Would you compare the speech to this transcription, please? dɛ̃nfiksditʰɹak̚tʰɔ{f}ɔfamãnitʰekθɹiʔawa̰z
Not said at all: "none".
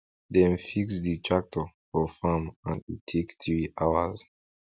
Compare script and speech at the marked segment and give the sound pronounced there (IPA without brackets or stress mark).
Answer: f